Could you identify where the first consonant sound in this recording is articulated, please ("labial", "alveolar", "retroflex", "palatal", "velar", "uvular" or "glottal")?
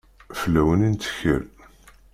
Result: labial